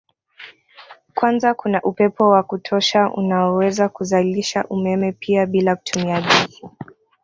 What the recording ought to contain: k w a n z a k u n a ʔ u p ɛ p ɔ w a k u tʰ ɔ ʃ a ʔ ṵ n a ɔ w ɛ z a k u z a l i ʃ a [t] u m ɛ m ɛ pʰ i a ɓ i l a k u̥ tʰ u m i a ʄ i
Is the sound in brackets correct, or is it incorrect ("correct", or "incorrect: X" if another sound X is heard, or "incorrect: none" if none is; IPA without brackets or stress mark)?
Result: incorrect: ʔ